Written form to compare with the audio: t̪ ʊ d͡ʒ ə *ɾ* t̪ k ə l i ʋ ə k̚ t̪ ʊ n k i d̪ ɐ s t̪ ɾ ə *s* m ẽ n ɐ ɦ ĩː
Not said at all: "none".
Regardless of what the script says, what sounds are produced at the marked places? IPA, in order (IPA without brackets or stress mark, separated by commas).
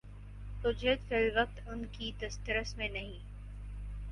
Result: none, s